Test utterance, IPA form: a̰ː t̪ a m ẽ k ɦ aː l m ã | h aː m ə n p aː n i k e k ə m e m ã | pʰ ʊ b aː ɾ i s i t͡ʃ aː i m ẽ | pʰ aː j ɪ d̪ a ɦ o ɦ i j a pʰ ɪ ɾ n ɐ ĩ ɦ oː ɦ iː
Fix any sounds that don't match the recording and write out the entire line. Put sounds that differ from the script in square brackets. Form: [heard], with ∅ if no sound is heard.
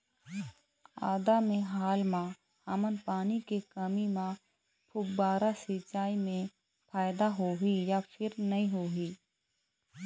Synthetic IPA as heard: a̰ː [d̪] a m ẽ [∅] ɦ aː l m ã | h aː m ə n p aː n i k e k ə m [i] m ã | pʰ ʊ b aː ɾ [a] s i t͡ʃ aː i m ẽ | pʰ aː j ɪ d̪ a ɦ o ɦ i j a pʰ ɪ ɾ n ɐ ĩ ɦ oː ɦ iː

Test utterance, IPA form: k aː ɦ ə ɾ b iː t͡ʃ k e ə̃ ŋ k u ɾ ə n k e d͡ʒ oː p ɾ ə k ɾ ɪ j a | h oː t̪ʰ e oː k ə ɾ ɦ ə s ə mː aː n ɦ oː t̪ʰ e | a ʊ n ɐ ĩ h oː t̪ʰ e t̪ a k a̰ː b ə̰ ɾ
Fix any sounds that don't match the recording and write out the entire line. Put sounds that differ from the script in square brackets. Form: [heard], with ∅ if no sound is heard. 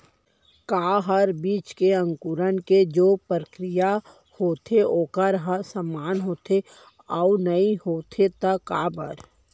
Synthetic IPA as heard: k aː ɦ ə ɾ b iː t͡ʃ k e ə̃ ŋ k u ɾ ə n k e d͡ʒ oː p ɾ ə k ɾ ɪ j a | h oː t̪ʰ e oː k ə ɾ ɦ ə s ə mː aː n ɦ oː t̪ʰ e | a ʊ n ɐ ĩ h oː t̪ʰ e t̪ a k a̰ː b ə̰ ɾ

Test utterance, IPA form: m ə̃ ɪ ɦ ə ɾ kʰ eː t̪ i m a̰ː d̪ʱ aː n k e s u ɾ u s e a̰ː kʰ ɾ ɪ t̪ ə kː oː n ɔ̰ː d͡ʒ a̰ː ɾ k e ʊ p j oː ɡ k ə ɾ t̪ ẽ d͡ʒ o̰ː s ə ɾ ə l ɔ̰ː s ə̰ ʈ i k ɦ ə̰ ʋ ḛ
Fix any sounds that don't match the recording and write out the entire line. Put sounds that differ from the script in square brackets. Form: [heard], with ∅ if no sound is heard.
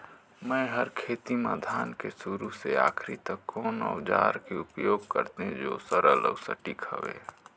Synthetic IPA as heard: m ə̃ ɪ ɦ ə ɾ kʰ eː t̪ i m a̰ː d̪ʱ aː n k e s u ɾ u s e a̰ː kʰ ɾ [i] t̪ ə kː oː n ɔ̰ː d͡ʒ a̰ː ɾ k e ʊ p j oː ɡ k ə ɾ t̪ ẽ d͡ʒ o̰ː s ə ɾ ə l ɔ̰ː s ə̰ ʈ i k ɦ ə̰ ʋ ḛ

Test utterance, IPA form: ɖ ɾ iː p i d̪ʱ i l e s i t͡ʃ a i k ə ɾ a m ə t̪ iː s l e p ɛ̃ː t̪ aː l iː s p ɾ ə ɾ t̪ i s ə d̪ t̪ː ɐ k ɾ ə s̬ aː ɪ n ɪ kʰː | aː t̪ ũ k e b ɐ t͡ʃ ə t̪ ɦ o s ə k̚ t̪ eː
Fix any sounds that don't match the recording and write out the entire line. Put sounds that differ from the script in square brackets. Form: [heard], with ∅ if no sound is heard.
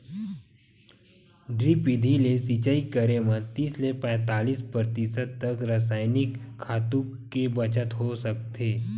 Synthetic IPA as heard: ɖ ɾ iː p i d̪ʱ i l e s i t͡ʃ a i k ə ɾ [e] m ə t̪ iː s l e p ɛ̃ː t̪ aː l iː s p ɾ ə ɾ t̪ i s ə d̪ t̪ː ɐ k ɾ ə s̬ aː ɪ n ɪ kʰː | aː t̪ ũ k e b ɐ t͡ʃ ə t̪ ɦ o s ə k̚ t̪ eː

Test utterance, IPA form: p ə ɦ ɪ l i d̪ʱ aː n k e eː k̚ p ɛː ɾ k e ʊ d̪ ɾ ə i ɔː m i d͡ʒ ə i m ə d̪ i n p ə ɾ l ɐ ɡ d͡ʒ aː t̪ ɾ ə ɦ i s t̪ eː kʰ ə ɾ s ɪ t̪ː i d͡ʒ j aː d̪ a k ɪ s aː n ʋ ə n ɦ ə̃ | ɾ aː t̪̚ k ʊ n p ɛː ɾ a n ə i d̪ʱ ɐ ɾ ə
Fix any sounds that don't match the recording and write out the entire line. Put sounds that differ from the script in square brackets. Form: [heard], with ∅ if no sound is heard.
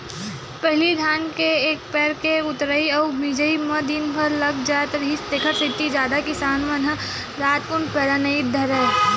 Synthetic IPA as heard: p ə ɦ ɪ l i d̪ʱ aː n k e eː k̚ p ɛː ɾ k e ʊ [t̪] ɾ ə i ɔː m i d͡ʒ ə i m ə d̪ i n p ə ɾ l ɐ ɡ d͡ʒ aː t̪ ɾ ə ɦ i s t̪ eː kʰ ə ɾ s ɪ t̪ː i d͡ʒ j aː d̪ a k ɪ s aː n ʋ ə n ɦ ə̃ | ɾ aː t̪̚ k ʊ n p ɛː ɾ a n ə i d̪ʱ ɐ ɾ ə

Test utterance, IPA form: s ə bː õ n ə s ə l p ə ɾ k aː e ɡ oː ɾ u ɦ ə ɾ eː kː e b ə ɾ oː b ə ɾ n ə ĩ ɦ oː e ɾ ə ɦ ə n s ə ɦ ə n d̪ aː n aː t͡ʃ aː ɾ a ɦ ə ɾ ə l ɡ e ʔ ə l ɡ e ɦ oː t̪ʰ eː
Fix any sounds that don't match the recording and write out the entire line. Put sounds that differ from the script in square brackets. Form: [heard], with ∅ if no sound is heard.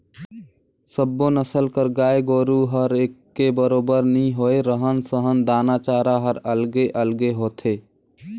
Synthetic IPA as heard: s ə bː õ n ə s ə l [k] ə ɾ [ɡ] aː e ɡ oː ɾ u ɦ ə ɾ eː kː e b ə ɾ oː b ə ɾ n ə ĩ ɦ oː e ɾ ə ɦ ə n s ə ɦ ə n d̪ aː n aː t͡ʃ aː ɾ a ɦ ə ɾ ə l ɡ e ʔ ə l ɡ e ɦ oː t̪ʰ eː

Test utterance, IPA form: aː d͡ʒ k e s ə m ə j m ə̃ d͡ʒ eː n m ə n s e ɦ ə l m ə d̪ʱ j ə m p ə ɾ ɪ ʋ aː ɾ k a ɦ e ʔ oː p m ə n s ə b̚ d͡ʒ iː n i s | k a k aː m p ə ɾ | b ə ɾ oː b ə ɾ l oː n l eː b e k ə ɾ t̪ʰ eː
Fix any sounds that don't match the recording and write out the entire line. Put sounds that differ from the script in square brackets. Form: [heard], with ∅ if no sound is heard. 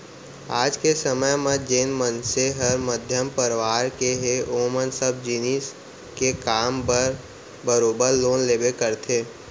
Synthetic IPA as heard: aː d͡ʒ k e s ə m ə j m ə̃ d͡ʒ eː n m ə n s e ɦ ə [ɾ] m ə d̪ʱ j ə m p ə ɾ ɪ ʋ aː ɾ k [e] ɦ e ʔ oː [∅] m ə n s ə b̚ d͡ʒ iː n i s | k [e] k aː m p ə ɾ | b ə ɾ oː b ə ɾ l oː n l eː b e k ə ɾ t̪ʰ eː

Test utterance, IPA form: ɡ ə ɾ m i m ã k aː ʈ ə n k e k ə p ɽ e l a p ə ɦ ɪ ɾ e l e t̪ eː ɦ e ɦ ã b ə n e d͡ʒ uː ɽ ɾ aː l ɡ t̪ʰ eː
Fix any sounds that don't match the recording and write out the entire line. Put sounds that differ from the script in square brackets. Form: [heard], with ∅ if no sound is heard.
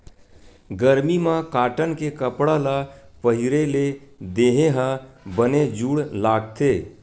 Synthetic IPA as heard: ɡ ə ɾ m i m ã k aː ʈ ə n k e k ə p ɽ [a] l a p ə ɦ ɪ ɾ e l e [d̪] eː ɦ e ɦ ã b ə n e d͡ʒ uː ɽ [l] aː [∅] ɡ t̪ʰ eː

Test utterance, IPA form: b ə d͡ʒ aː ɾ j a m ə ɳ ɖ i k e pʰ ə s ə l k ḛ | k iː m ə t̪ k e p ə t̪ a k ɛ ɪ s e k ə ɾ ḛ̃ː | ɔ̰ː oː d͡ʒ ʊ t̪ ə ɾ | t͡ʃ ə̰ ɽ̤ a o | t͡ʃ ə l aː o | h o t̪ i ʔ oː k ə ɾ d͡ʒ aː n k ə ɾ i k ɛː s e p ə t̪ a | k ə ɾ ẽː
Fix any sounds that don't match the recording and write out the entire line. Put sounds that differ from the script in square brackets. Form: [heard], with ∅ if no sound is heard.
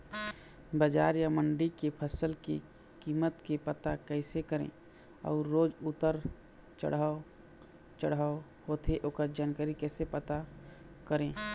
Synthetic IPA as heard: b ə d͡ʒ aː ɾ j a m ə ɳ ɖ i k e pʰ ə s ə l k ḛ | k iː m ə t̪ k e p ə t̪ a k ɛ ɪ s e k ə ɾ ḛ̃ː | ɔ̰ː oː d͡ʒ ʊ t̪ ə ɾ | t͡ʃ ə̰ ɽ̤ a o | t͡ʃ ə [ɽ] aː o | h o t̪ [e] ʔ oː k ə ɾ d͡ʒ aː n k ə ɾ i k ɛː s e p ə t̪ a | k ə ɾ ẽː

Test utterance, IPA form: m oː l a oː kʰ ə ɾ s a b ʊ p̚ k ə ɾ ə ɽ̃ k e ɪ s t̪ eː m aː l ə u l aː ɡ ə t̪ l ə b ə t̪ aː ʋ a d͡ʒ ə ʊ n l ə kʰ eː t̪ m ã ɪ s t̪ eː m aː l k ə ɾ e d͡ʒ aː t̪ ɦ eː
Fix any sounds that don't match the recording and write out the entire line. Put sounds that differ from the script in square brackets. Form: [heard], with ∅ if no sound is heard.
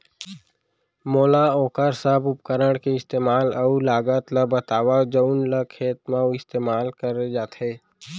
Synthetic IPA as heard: m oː l a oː [k] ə ɾ s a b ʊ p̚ k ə ɾ ə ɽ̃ k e ɪ s t̪ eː m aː l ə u l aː ɡ ə t̪ l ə b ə t̪ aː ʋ a d͡ʒ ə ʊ n l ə kʰ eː t̪ m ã ɪ s t̪ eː m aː l k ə ɾ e d͡ʒ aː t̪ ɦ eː

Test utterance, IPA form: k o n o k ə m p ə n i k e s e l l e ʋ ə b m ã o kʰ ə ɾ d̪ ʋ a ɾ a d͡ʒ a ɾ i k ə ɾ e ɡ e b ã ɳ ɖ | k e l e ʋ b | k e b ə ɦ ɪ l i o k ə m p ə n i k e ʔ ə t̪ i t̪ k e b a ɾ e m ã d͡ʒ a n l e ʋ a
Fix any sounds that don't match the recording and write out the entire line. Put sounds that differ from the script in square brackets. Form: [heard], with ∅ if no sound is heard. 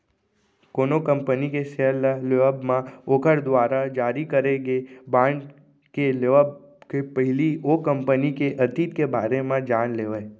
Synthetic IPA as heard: k o n o k ə m p ə n i k e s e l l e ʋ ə b m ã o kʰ ə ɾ d̪ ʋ a ɾ a d͡ʒ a ɾ i k ə ɾ e ɡ e b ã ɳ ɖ | k e l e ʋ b | k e [p] ə ɦ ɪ l i o k ə m p ə n i k e ʔ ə t̪ i t̪ k e b a ɾ e m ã d͡ʒ a n l e ʋ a

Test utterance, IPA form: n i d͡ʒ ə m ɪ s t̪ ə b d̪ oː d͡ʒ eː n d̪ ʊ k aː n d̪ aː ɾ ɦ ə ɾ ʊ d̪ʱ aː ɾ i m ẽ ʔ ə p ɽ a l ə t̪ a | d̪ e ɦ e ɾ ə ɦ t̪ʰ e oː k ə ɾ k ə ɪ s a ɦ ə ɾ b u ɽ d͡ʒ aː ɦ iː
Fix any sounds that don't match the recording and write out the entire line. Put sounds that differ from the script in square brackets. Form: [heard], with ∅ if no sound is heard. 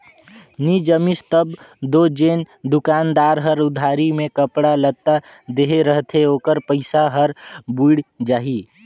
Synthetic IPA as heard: n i d͡ʒ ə m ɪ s t̪ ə b d̪ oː d͡ʒ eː n d̪ ʊ k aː n d̪ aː ɾ ɦ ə ɾ ʊ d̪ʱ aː ɾ i m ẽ [k] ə p ɽ a l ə t̪ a | d̪ e ɦ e ɾ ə ɦ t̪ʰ e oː k ə ɾ [p] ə ɪ s a ɦ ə ɾ b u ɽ d͡ʒ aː ɦ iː

